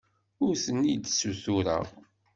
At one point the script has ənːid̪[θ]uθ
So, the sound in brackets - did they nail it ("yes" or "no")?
no